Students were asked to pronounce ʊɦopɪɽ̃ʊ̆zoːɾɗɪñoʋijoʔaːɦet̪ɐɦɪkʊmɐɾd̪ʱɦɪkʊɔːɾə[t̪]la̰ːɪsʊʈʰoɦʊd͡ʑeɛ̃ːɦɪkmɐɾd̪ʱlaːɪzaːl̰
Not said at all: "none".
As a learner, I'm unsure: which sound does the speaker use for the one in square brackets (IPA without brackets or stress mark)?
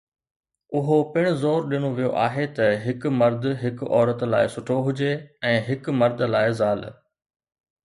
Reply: t̪